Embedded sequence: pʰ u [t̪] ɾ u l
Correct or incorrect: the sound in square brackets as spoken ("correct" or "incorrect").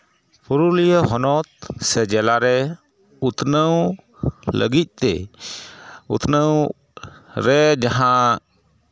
incorrect